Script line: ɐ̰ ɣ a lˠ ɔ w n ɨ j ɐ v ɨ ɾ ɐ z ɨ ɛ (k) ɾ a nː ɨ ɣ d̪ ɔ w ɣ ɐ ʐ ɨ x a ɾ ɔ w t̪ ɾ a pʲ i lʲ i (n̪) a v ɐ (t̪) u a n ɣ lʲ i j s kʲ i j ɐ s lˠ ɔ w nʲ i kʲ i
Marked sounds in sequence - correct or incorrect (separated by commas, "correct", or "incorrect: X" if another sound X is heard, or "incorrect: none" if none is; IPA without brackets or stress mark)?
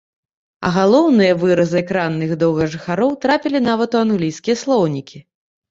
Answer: correct, correct, correct